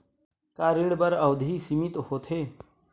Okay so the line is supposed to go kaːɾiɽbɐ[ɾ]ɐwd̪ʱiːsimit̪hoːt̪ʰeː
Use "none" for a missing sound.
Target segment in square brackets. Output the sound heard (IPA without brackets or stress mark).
ɾ